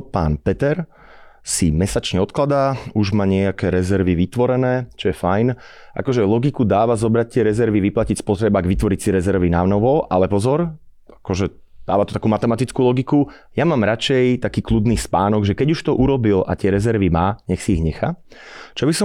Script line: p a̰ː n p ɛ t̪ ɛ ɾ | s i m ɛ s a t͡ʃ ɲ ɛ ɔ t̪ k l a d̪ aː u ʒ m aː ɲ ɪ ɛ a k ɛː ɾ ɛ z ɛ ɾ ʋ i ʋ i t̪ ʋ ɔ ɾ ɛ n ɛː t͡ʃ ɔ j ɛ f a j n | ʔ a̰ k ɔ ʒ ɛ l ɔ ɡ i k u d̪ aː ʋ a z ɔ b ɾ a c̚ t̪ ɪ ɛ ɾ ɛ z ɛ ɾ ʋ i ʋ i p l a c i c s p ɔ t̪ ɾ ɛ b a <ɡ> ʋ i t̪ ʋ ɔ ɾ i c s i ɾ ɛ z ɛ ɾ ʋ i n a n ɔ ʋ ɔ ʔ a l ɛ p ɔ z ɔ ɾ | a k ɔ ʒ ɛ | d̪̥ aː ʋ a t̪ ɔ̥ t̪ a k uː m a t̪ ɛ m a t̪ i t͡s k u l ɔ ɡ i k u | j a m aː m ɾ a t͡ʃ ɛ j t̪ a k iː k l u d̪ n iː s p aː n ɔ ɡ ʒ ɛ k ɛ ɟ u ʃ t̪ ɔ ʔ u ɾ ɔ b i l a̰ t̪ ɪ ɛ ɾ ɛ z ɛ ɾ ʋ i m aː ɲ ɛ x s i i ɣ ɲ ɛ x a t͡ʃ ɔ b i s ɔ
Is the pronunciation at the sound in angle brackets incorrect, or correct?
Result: correct